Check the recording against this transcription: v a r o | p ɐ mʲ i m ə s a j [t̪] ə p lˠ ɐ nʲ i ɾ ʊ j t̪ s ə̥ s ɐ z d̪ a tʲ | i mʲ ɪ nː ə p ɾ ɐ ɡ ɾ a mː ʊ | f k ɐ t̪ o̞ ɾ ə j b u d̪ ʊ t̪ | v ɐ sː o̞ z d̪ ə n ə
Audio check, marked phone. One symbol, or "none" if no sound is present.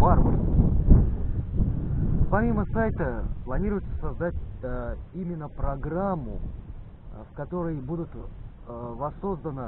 t̪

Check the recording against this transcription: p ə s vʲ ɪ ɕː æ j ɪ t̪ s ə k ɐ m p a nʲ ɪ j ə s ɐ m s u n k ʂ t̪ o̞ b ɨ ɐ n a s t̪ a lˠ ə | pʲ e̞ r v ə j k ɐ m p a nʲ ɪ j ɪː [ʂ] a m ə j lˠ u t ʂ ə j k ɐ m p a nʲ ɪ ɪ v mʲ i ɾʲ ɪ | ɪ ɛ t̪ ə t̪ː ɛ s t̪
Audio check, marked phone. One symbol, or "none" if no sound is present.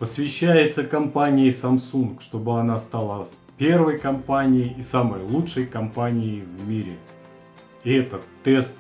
s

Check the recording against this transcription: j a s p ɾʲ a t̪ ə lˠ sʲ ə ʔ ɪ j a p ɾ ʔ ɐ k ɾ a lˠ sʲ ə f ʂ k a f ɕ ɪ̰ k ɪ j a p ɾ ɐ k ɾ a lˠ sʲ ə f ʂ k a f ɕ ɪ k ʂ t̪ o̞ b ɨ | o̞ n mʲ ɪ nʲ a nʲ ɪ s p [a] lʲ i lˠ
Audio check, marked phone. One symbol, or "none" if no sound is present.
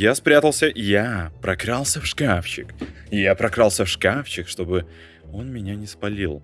ɐ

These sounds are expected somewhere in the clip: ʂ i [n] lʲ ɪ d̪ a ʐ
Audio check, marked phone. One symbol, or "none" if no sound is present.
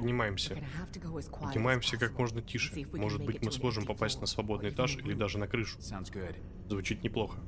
none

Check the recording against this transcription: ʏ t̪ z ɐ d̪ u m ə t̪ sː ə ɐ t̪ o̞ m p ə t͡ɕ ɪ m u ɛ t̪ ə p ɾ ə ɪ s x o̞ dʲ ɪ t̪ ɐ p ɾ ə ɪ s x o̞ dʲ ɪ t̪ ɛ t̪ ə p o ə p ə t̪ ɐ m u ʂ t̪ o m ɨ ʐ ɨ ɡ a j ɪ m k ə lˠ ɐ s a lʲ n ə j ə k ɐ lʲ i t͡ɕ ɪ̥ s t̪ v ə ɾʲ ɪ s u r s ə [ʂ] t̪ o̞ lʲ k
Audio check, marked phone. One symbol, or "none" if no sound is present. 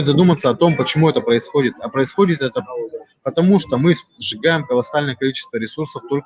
f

